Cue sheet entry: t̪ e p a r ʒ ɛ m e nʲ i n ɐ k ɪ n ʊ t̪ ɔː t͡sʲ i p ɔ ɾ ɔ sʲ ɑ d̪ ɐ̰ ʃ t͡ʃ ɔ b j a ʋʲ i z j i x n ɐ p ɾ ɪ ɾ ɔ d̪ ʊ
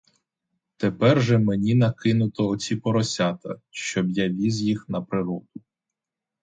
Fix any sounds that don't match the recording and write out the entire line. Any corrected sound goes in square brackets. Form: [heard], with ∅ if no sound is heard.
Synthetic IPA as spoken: t̪ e p [ɛ] r ʒ ɛ m e nʲ i n ɐ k ɪ n ʊ t̪ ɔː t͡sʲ i p ɔ ɾ ɔ sʲ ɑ [t̪] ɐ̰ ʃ t͡ʃ ɔ b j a ʋʲ i z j i x n ɐ p ɾ ɪ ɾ ɔ d̪ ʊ